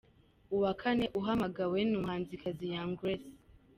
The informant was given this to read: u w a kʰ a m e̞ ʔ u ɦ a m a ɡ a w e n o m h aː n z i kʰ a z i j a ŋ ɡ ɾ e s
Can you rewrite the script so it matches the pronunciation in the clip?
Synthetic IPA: u w a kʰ a n e̞ ʔ u ɦ a m a ɡ a w e n u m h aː n z i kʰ a z i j a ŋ ɡ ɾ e s